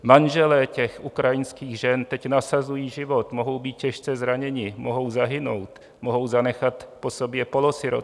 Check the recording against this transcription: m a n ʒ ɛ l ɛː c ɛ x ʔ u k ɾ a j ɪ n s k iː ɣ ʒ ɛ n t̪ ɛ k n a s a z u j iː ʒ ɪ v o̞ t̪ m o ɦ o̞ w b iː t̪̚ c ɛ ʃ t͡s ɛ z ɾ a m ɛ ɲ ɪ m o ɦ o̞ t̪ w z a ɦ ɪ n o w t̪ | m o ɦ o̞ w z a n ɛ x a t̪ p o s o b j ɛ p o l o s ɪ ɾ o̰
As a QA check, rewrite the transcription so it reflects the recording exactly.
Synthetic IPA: m a n ʒ ɛ l ɛː c ɛ x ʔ u k ɾ a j ɪ n s k iː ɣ ʒ ɛ n t̪ ɛ c n a s a z u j iː ʒ ɪ v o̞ t̪ m o ɦ o̞ w b iː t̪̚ c ɛ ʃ t͡s ɛ z ɾ a ɲ ɛ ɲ ɪ m o ɦ o̞ w z a ɦ ɪ n o w t̪ | m o ɦ o̞ w z a n ɛ x a t̪ p o s o b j ɛ p o l o s ɪ ɾ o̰